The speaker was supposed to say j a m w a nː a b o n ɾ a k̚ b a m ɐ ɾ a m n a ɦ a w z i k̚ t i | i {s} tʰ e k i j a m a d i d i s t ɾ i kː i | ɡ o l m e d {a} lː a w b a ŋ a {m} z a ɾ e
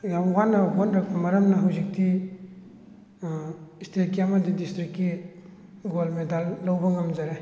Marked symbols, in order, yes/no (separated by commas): yes, yes, yes